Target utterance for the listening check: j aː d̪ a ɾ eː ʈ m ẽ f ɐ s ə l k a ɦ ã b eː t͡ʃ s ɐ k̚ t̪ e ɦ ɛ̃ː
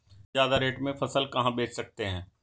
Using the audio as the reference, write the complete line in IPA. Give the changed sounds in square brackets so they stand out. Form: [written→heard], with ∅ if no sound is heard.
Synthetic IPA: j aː d̪ a ɾ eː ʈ m ẽ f ɐ s ə l k [a→ɐ] ɦ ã b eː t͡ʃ s ɐ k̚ t̪ e ɦ ɛ̃ː